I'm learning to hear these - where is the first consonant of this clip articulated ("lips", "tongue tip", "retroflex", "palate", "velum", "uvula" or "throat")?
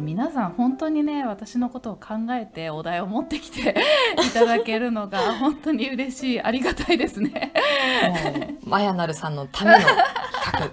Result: lips